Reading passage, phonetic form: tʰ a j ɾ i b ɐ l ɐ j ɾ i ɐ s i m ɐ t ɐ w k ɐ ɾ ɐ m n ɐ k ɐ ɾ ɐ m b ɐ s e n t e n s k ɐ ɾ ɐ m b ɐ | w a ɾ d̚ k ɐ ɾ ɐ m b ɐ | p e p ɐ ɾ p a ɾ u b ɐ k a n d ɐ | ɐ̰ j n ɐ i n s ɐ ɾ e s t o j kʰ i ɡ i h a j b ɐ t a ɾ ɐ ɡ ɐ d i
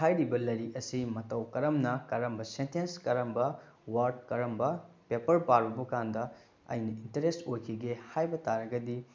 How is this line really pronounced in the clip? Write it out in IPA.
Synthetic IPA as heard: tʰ a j ɾ i b ɐ l ɐ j ɾ i ɐ s i m ɐ t ɐ w k ɐ ɾ ɐ m n ɐ k ɐ ɾ ɐ m b ɐ s e n t e n s k ɐ ɾ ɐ m b ɐ | w a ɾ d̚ k ɐ ɾ ɐ m b ɐ | p e p ɐ ɾ p a ɾ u b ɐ k a n d ɐ | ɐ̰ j n ɐ i n t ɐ ɾ e s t o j kʰ i ɡ e h a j b ɐ t a ɾ ɐ ɡ ɐ d i